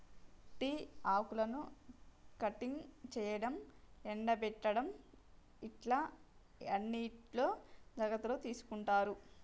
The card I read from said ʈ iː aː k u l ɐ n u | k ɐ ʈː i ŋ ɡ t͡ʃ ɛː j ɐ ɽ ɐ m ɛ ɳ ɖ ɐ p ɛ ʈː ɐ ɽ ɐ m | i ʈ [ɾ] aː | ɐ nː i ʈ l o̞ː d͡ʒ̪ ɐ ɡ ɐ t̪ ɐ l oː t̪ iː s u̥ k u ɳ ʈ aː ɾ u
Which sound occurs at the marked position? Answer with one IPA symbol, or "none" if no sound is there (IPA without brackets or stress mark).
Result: l